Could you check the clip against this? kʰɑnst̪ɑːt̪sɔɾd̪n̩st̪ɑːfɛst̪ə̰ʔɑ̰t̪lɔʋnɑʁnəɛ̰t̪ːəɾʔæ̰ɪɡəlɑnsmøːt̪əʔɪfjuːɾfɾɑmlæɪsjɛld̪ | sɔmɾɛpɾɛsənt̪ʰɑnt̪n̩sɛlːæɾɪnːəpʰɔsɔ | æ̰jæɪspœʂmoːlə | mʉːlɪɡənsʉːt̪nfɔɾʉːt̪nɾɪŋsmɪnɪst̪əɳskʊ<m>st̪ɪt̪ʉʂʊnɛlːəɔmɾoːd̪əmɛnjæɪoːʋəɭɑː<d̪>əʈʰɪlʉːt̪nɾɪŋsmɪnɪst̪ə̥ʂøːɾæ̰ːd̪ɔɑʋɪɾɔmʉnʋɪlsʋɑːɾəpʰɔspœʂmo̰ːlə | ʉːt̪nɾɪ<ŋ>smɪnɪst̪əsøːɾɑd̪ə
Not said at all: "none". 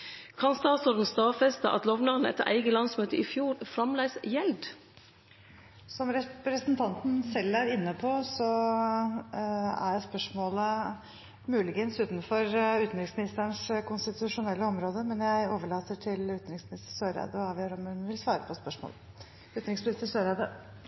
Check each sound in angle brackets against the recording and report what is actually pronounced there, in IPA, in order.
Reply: n, t̪, ŋ

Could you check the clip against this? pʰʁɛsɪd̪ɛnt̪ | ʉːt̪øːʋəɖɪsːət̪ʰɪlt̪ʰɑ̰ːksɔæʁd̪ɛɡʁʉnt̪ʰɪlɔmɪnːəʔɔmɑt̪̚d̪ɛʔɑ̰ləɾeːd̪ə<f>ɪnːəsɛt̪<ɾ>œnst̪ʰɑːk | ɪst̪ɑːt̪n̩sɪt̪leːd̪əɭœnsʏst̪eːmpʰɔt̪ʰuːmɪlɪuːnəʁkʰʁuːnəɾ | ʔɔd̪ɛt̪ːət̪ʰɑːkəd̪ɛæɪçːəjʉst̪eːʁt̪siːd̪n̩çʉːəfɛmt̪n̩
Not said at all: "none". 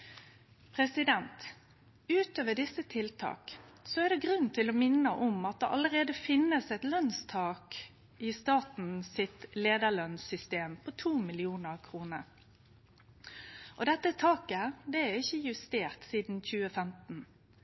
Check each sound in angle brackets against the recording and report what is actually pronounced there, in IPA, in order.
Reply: f, l

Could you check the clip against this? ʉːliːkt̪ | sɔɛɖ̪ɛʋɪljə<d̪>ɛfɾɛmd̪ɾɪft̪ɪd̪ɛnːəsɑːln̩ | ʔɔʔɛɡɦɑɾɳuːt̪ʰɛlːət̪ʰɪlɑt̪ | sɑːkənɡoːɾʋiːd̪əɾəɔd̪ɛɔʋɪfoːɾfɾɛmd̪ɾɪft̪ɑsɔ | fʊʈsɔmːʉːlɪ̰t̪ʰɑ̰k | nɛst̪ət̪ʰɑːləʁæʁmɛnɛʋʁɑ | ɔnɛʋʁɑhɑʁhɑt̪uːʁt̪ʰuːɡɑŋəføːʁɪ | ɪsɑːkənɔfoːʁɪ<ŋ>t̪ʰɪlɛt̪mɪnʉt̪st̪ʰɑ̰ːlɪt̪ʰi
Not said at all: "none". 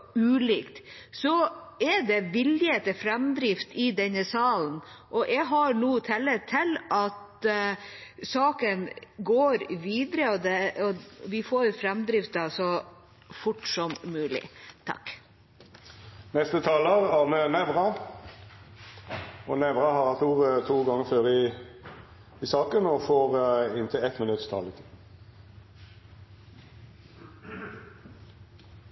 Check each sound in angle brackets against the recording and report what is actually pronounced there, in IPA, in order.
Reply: t̪, n

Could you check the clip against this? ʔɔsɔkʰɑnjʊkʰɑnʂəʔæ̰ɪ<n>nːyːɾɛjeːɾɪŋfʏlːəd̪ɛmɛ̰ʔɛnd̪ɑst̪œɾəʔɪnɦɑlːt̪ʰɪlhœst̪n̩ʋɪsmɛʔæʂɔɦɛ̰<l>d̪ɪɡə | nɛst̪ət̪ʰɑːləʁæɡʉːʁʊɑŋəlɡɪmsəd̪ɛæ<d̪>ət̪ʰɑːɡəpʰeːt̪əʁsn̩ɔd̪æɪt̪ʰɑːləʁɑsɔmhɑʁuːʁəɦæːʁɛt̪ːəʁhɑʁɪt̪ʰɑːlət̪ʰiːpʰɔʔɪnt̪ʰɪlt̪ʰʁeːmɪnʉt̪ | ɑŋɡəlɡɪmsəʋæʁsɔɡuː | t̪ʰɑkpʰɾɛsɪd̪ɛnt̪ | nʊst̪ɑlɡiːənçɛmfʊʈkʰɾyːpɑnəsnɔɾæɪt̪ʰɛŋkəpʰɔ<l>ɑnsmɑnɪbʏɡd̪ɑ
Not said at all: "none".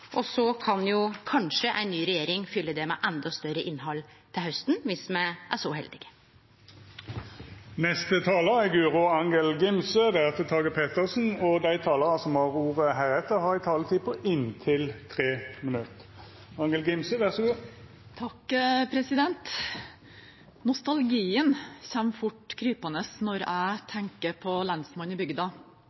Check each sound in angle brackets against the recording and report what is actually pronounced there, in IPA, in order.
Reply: n, l, t̪, l

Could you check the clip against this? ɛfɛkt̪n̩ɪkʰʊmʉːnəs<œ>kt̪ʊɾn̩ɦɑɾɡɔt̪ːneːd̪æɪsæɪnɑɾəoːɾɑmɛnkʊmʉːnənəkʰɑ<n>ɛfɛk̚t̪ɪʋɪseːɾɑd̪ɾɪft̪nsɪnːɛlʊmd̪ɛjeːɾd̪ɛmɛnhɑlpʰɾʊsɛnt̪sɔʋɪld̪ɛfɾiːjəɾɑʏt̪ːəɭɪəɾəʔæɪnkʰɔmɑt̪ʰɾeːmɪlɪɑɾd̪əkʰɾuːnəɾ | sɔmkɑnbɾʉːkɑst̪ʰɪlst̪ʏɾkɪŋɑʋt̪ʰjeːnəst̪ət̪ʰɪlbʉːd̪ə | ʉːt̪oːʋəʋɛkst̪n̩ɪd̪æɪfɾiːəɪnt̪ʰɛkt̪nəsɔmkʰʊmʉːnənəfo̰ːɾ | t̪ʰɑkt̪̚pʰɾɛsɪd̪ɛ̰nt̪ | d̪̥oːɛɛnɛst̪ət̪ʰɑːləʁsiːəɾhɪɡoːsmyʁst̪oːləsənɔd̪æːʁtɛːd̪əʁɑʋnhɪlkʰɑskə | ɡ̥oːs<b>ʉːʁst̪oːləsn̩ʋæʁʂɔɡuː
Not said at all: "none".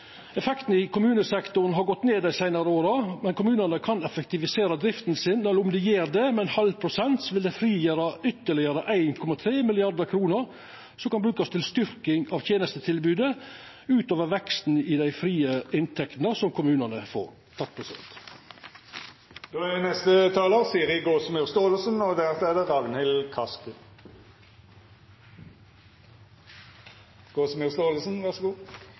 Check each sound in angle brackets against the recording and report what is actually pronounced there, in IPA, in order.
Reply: ɛ, n, m

